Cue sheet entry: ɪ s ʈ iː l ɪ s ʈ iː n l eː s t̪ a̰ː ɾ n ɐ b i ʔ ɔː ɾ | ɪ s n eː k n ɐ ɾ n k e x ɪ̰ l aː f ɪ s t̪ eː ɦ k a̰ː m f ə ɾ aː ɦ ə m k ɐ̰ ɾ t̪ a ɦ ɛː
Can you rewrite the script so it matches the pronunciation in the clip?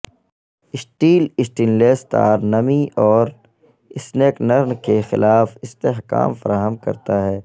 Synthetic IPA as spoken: ɪ s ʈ iː l ɪ s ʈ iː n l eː s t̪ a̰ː ɾ n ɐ m i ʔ ɔː ɾ | ɪ s n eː k n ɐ ɾ n k e x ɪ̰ l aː f ɪ s t̪ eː ɦ k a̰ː m f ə ɾ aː ɦ ə m k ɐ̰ ɾ t̪ a ɦ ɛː